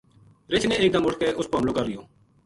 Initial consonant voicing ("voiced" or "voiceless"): voiced